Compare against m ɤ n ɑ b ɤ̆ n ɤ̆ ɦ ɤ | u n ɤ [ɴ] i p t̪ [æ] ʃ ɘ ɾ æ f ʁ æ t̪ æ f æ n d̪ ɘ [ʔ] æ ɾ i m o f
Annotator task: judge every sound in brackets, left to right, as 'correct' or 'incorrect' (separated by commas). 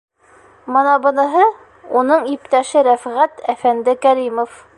correct, correct, incorrect